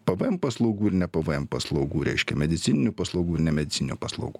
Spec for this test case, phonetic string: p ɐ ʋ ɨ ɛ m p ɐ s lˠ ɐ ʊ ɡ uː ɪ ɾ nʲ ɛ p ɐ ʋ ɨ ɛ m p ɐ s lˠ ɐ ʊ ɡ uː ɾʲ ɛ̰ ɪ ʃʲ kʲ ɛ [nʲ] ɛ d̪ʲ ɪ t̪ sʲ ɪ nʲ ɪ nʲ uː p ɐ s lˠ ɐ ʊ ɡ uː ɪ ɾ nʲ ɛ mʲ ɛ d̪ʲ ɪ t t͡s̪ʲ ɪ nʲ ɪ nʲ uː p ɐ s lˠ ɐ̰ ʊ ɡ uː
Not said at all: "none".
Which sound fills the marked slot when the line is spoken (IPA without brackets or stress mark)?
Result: mʲ